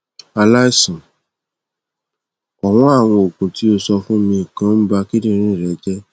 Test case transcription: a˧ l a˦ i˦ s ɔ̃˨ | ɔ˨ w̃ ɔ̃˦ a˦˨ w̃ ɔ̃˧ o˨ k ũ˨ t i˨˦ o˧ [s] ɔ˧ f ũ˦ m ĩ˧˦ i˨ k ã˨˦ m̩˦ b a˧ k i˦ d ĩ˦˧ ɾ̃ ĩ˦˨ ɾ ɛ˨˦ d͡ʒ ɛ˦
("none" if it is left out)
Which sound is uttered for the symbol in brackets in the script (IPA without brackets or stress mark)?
s